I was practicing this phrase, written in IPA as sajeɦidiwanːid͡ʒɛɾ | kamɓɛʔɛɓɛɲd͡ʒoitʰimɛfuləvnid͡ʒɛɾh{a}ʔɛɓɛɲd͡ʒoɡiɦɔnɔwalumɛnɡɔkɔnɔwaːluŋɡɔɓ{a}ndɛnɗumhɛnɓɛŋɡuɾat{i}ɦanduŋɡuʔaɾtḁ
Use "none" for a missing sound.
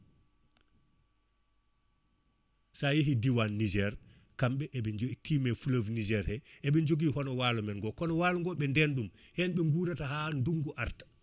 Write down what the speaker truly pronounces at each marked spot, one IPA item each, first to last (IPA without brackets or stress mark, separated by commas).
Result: ɛ, ɛ, a